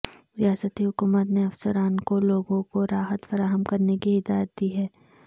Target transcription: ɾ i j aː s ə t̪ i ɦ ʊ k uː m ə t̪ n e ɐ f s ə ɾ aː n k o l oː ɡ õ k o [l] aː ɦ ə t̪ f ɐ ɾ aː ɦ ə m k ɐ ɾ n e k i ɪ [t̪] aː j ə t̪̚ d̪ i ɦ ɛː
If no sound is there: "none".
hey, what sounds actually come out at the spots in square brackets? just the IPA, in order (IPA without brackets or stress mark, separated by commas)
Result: ɾ, d̪